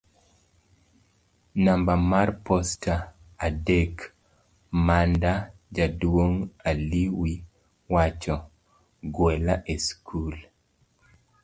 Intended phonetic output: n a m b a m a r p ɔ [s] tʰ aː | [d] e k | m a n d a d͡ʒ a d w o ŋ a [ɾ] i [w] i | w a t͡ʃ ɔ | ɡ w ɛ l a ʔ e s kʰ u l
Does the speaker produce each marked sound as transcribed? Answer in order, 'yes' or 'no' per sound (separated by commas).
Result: yes, yes, no, yes